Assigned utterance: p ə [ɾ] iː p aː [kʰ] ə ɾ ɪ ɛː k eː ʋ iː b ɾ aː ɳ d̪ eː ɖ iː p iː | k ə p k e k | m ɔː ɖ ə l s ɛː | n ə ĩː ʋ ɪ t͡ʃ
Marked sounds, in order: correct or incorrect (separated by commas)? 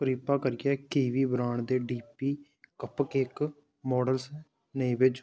correct, incorrect